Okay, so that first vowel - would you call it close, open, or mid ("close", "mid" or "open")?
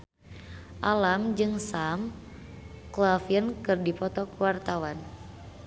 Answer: open